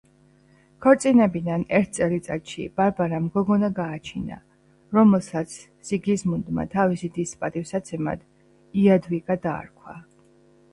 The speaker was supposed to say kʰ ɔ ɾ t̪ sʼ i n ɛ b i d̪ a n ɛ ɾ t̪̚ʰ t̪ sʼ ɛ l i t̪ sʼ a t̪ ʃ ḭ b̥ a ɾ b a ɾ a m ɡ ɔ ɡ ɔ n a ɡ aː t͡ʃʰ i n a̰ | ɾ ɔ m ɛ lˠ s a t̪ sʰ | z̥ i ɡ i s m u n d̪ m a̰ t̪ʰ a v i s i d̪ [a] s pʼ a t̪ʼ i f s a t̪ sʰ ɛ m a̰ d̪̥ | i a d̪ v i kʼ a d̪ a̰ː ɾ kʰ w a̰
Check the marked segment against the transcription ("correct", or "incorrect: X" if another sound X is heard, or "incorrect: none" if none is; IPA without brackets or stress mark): incorrect: i